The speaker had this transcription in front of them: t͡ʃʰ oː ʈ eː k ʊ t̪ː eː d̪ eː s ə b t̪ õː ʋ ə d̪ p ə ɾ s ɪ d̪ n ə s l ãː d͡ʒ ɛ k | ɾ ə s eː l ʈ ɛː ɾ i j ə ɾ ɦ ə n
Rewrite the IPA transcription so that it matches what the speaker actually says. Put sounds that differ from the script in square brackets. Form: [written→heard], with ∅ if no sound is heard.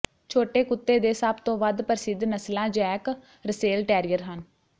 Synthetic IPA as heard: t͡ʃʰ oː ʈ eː k ʊ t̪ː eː d̪ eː s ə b t̪ õː ʋ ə d̪ p ə ɾ s ɪ d̪ n ə s l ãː d͡ʒ [ɛ→ɛː] k | ɾ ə s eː l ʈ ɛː ɾ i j ə ɾ ɦ ə n